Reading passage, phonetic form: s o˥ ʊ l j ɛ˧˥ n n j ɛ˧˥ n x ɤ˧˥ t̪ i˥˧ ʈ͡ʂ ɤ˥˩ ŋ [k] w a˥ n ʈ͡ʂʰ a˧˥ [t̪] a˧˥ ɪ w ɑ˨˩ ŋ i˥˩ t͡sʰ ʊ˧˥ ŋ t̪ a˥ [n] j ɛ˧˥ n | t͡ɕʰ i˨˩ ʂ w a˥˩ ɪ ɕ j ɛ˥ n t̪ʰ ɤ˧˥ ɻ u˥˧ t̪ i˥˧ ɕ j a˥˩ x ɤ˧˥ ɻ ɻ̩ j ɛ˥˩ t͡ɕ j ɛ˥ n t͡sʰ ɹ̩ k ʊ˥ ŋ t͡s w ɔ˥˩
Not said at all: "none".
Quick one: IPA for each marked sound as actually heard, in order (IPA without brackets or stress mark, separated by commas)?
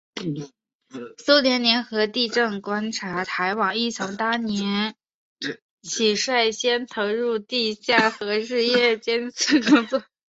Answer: k, t̪ʰ, n